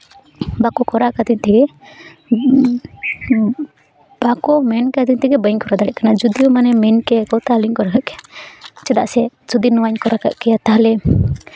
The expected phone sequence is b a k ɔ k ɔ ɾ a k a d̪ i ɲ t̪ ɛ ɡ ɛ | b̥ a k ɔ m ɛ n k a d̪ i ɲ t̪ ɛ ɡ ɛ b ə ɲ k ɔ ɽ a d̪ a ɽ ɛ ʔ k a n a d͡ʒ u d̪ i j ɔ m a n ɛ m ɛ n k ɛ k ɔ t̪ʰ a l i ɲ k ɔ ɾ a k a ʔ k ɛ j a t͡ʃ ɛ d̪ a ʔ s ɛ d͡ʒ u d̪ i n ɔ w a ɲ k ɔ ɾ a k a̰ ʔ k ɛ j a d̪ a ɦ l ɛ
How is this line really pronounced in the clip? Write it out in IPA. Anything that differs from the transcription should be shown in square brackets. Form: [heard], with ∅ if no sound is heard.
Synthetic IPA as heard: b a k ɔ k ɔ ɾ a k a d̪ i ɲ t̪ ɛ ɡ ɛ | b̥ a k ɔ m ɛ n k a d̪ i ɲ t̪ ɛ ɡ ɛ b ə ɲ k ɔ [ɾ] a d̪ a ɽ ɛ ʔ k a n a d͡ʒ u d̪ i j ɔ m a n ɛ m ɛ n k ɛ k ɔ [t̪] a l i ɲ k ɔ ɾ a k a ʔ k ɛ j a t͡ʃ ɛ d̪ a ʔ s ɛ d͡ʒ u d̪ i n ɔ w a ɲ k ɔ ɾ a k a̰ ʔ k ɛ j a [t̪] a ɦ l ɛ